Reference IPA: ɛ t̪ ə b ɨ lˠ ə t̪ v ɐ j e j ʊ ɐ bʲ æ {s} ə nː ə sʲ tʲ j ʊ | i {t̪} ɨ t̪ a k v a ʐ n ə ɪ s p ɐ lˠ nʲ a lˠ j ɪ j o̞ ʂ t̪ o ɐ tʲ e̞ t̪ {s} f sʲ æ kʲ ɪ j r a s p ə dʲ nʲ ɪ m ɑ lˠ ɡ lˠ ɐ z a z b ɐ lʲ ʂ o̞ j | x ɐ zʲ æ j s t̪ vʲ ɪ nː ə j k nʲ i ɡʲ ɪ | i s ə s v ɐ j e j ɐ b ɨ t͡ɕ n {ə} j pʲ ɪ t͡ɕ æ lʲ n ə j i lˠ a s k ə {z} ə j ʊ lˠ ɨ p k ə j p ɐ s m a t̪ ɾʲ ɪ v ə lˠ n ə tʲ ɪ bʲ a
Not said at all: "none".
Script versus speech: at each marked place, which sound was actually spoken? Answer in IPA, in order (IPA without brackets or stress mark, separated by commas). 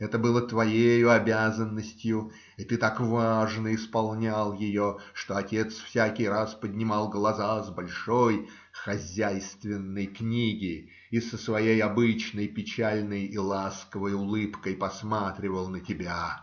z, t̪, s, ə, v